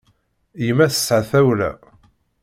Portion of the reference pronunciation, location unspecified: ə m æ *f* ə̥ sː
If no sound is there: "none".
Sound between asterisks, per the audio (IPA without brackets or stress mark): θ